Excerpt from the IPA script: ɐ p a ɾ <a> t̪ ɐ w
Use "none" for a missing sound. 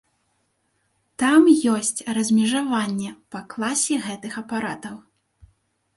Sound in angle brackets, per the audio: a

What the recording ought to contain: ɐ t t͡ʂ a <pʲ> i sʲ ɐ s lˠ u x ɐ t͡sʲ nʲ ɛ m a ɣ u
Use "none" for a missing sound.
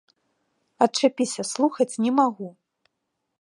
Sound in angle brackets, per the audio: pʲ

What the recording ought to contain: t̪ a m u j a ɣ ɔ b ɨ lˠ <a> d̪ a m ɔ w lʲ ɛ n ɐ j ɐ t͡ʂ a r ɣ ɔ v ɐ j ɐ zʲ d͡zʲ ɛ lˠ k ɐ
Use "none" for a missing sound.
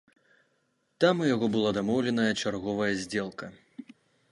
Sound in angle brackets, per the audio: a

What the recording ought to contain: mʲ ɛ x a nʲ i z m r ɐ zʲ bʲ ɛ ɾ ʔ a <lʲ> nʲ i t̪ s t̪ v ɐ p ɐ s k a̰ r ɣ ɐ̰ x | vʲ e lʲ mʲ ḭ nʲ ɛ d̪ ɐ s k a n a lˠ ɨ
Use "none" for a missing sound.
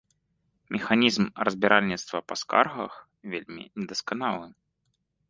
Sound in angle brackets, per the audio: lʲ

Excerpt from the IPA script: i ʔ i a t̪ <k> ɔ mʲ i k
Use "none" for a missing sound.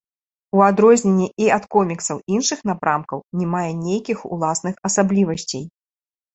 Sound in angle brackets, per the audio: k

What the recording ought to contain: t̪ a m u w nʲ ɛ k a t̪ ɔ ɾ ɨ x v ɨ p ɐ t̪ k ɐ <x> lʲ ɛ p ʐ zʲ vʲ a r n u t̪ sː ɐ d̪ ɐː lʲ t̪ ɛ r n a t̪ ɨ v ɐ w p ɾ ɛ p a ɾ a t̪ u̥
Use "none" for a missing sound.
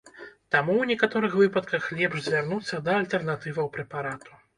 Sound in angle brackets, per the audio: x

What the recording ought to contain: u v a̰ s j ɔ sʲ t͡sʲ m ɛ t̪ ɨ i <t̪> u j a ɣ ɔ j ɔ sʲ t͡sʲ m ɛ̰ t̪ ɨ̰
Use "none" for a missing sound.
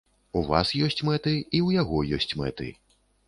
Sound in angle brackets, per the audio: none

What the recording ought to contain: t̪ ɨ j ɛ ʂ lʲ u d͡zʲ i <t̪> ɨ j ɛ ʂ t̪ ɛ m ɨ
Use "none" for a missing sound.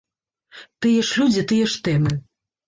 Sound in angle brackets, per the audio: t̪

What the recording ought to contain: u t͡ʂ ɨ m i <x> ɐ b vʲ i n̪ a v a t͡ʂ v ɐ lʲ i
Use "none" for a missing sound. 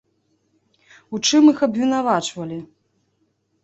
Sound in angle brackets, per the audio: x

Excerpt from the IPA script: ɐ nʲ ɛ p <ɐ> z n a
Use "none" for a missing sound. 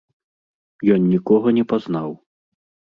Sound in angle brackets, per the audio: a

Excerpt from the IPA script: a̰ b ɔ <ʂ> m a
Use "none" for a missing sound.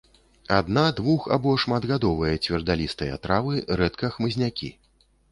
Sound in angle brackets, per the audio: ʂ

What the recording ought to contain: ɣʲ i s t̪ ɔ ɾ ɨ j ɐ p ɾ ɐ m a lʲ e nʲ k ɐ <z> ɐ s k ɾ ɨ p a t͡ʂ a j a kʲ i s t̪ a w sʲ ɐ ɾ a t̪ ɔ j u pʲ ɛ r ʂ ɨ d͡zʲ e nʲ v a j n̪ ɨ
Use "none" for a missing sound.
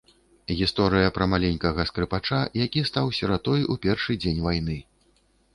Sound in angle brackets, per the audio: ɣ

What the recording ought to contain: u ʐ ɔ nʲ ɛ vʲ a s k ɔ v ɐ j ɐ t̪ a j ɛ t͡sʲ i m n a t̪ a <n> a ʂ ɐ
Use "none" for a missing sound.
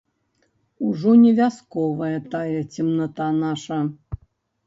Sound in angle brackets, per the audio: n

